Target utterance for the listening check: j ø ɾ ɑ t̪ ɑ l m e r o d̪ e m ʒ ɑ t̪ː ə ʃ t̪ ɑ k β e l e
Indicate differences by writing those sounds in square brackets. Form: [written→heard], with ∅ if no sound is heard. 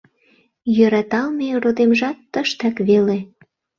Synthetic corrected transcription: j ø ɾ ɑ t̪ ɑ l m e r o d̪ e m ʒ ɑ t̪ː ə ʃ t̪ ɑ k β e l e